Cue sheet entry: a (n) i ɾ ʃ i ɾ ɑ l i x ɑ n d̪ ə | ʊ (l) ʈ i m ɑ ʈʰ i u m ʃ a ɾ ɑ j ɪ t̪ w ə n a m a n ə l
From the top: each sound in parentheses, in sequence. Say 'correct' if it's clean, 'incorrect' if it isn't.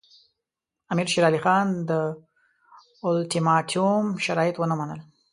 incorrect, correct

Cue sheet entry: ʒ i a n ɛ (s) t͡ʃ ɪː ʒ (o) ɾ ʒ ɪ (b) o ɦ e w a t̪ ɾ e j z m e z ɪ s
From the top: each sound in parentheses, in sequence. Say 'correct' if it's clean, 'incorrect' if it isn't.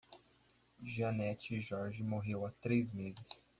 incorrect, incorrect, incorrect

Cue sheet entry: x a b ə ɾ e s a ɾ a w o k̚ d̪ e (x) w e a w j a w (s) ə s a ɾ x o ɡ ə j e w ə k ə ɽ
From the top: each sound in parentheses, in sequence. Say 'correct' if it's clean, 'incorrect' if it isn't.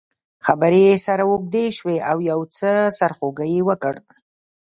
incorrect, incorrect

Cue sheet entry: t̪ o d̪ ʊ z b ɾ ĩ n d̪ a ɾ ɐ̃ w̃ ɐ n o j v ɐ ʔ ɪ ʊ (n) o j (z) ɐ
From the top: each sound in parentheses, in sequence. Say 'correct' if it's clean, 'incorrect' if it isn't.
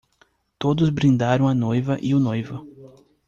correct, incorrect

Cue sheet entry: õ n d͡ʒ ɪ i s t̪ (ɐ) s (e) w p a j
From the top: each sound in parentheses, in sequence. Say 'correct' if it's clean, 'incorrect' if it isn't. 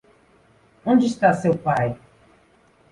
incorrect, correct

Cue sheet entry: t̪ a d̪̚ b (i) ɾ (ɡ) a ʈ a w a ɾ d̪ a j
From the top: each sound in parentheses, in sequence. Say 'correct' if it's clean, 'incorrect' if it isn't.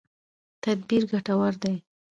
correct, correct

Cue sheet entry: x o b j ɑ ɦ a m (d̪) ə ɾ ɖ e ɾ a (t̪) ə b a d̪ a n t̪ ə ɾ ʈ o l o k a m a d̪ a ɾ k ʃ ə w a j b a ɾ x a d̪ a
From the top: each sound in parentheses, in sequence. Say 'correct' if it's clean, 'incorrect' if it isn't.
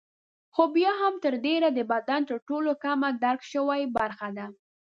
incorrect, incorrect

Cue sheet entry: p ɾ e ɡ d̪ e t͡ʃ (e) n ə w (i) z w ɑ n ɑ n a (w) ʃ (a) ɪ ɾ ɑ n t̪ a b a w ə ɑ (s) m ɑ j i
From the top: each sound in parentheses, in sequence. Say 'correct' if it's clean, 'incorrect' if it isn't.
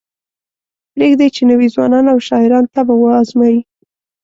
correct, correct, correct, incorrect, incorrect

